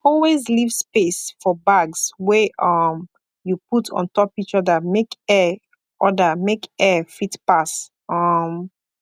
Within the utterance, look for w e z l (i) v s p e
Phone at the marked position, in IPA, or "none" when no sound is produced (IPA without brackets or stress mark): i